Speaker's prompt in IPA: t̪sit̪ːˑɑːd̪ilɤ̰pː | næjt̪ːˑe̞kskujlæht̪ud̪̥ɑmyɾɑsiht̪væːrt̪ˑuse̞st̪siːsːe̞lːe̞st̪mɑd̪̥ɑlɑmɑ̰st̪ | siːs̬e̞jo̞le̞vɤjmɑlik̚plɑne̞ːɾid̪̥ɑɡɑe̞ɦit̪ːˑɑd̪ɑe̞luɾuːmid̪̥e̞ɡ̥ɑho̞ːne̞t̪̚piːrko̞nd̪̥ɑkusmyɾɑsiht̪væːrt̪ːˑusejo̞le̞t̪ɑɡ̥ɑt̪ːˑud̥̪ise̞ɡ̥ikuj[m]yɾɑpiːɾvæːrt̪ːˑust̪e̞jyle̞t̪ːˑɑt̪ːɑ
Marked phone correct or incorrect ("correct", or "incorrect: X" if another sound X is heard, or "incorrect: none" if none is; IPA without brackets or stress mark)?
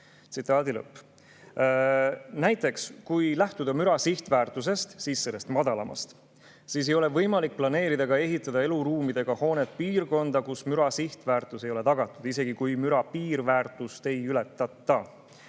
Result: correct